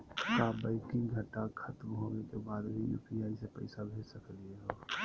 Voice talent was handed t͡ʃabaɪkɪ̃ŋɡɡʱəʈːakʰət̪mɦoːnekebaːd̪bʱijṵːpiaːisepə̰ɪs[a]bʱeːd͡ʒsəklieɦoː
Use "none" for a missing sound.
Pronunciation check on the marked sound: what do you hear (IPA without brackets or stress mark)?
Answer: a